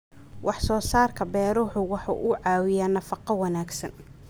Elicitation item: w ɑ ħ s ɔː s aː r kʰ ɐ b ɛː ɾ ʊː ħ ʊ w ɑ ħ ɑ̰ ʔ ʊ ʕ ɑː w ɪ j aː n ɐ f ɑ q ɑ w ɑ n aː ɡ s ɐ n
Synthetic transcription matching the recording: w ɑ ħ s ɔː s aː r kʰ ɐ b ɛː ɾ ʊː ħ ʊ w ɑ ħ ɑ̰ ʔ ʊ ʕ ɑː w ɪ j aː n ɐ f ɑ q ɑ w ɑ n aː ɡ s ɐ n